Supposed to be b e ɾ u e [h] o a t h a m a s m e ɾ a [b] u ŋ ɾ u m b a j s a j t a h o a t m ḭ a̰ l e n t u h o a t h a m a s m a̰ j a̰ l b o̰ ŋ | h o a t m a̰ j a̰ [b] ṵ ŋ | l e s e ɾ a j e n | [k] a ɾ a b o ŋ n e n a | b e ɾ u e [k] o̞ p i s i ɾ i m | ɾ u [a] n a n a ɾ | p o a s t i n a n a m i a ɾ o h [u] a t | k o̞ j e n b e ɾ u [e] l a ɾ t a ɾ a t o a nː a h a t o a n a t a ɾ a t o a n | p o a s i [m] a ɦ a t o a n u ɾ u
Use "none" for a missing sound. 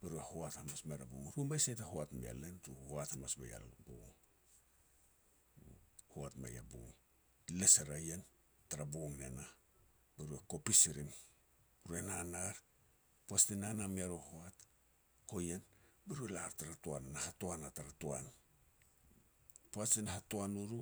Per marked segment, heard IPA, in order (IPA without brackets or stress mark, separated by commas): h, b, b, t, k, e, o, e, n